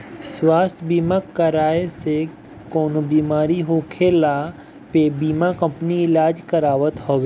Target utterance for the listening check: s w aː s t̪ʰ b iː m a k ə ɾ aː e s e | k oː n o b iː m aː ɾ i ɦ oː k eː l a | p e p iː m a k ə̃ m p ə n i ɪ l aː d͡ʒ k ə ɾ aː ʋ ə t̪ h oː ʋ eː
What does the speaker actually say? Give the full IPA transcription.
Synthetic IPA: s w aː s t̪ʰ b iː m a k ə ɾ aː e s e | k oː n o b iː m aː ɾ i ɦ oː kʰ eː l a | p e b iː m a k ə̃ m p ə n i ɪ l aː d͡ʒ k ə ɾ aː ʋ ə t̪ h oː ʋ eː